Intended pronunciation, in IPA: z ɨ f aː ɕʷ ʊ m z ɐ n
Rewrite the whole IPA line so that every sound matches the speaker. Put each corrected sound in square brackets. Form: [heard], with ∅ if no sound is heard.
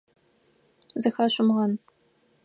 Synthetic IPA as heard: z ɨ [x] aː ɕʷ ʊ m [ʁ] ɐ n